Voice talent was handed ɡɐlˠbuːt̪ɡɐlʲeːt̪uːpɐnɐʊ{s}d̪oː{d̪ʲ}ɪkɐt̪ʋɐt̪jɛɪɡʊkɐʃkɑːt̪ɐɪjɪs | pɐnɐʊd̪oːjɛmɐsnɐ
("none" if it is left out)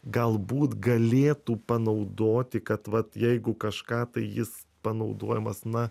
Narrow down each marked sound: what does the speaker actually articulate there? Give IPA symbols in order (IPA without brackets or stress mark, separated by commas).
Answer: none, t̪ʲ